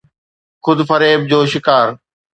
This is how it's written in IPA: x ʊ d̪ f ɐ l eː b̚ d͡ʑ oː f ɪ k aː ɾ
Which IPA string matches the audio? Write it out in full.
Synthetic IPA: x ʊ d̪ f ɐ ɾ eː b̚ d͡ʑ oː ʃ ɪ k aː ɾ